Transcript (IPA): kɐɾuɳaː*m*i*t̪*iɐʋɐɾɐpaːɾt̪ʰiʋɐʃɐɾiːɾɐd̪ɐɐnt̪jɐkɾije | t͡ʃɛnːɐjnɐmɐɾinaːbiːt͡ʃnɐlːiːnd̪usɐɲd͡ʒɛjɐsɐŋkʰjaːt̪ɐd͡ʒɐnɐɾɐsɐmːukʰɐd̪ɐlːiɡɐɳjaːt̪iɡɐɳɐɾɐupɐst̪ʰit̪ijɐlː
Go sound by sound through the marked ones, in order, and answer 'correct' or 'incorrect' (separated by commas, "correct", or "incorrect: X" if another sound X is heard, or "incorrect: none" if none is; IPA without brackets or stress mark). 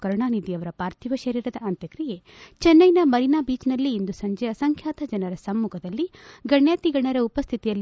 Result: incorrect: n, incorrect: d̪